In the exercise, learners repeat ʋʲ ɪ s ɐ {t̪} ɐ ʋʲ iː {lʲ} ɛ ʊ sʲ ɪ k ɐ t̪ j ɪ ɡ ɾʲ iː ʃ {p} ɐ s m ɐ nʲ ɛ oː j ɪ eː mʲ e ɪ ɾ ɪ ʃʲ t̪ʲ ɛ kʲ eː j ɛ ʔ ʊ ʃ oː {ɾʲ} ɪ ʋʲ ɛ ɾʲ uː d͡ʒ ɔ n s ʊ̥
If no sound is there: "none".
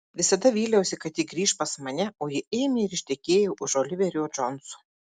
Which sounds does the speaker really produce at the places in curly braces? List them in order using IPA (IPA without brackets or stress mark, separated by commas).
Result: d̪, lʲ, p, lʲ